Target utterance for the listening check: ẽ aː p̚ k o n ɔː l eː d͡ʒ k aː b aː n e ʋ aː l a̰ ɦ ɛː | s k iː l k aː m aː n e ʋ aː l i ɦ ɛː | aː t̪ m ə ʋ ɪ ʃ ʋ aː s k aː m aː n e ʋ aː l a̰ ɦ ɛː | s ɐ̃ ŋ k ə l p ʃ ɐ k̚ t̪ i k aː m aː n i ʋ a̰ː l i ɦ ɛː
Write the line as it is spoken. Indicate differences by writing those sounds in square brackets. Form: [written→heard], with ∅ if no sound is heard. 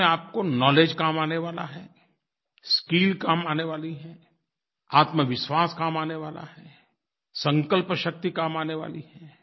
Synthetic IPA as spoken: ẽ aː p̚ k o n ɔː l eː d͡ʒ k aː [b→m] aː n e ʋ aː l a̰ ɦ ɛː | s k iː l k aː m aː n e ʋ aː l i ɦ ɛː | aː t̪ m ə ʋ ɪ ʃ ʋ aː s k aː m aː n e ʋ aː l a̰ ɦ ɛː | s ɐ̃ ŋ k ə l p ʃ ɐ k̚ t̪ i k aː m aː n [i→e] ʋ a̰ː l i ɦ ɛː